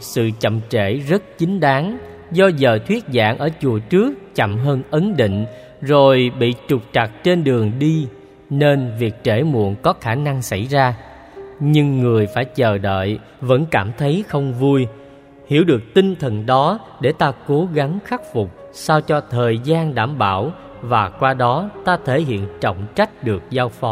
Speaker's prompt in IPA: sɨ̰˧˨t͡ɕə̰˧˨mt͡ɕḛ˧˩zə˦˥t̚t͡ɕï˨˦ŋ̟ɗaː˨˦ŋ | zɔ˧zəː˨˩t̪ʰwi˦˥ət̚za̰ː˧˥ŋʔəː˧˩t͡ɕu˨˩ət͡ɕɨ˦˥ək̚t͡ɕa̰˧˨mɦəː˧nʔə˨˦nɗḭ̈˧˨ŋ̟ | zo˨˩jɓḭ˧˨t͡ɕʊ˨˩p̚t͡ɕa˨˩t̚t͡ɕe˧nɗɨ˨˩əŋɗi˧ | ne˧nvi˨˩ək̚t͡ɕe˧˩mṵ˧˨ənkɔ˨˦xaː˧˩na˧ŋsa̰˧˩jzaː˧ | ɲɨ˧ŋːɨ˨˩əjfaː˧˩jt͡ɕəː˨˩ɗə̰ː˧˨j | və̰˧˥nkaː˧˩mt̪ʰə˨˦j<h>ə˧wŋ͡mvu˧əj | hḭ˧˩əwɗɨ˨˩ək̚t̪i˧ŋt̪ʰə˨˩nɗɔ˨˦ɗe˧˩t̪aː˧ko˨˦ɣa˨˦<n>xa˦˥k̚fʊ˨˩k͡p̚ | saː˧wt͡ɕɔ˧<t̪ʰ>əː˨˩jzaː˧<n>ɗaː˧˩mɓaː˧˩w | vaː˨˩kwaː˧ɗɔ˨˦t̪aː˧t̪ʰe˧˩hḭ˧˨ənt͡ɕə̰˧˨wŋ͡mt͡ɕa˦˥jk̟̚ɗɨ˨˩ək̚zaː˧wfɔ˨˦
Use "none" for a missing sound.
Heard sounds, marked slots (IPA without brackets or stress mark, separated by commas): x, ŋ, t̪ʰ, n